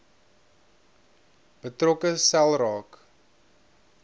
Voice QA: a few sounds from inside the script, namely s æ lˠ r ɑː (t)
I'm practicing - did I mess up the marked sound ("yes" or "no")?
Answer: yes